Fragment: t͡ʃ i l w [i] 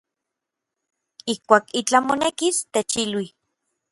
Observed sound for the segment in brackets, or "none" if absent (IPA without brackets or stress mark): i